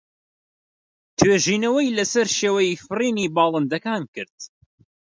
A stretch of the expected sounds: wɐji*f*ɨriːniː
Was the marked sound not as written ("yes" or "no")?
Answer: no